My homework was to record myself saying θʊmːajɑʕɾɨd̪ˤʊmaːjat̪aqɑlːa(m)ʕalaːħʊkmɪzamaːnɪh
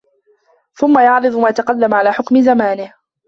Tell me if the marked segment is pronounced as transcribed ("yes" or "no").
yes